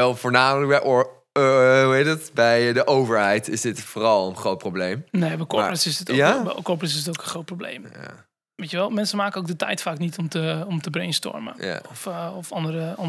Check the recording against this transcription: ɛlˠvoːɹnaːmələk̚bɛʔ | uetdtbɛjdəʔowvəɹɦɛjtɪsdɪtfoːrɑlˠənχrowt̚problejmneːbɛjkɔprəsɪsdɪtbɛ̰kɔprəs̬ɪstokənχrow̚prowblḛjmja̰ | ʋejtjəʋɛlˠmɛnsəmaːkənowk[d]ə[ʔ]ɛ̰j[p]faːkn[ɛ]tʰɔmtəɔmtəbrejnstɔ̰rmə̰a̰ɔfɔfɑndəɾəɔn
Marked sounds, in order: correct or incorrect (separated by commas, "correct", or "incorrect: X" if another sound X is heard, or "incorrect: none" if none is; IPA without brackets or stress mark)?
correct, incorrect: t, incorrect: t, incorrect: i